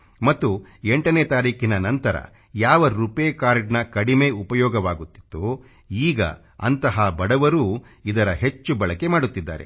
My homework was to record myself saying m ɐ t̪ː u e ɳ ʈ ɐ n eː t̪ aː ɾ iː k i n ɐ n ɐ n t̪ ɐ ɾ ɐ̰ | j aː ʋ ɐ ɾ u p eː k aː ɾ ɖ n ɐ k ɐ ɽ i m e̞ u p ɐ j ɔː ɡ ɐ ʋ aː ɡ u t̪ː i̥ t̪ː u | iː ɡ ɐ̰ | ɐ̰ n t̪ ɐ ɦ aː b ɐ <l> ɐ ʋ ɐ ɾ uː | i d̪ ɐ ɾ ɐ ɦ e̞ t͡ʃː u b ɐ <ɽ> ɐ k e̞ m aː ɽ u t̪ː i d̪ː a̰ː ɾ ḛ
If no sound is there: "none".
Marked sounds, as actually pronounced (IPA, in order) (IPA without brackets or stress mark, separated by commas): ɽ, ɭ